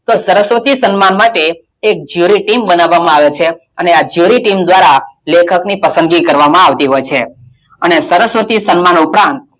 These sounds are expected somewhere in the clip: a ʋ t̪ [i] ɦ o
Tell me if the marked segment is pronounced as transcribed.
yes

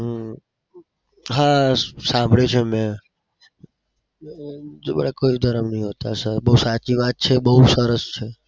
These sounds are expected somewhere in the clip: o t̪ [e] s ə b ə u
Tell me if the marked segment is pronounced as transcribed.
no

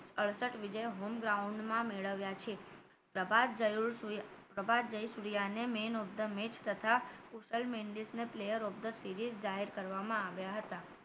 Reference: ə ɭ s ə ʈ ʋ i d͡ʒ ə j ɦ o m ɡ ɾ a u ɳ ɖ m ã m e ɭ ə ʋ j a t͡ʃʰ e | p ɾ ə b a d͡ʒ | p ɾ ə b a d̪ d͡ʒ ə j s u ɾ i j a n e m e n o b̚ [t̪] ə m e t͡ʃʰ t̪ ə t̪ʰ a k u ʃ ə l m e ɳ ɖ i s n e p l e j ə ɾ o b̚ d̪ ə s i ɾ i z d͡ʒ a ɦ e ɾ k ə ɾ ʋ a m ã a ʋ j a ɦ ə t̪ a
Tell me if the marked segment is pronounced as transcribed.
no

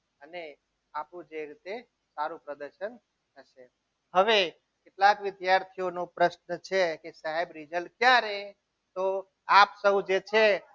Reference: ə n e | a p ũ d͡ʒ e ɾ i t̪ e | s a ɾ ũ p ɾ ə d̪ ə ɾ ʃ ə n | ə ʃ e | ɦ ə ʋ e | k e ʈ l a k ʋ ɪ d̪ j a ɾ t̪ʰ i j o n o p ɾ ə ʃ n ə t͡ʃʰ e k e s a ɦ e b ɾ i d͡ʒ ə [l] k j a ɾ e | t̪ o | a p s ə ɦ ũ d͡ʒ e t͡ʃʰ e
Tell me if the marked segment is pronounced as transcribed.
yes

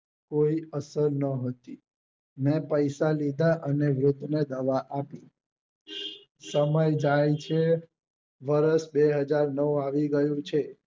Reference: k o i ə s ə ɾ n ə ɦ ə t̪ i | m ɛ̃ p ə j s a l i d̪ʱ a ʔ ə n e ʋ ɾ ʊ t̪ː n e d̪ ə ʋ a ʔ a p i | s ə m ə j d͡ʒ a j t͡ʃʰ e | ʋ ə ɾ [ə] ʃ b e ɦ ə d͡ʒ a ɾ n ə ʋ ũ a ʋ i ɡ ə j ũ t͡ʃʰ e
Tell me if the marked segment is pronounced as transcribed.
yes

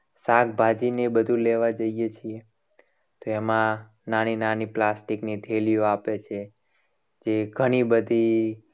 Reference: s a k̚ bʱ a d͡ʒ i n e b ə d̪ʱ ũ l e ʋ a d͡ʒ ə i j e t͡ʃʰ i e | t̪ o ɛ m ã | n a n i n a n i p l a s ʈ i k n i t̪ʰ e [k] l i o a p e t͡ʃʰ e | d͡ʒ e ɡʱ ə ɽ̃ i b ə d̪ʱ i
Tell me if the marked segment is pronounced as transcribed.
no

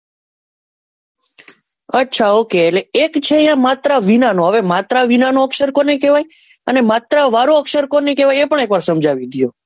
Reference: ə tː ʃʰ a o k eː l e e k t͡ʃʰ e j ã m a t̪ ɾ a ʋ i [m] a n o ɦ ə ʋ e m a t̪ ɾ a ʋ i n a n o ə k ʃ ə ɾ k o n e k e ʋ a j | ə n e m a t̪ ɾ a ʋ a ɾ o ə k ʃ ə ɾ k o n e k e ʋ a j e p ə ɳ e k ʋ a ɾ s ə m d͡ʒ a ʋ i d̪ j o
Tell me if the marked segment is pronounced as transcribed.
no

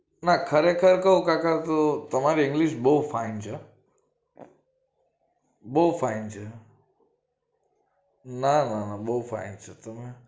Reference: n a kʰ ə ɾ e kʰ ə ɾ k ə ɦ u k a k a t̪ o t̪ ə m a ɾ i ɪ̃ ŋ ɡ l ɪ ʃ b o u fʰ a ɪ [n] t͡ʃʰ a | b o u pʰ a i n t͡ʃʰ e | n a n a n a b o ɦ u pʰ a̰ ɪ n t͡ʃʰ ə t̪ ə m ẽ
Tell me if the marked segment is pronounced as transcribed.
yes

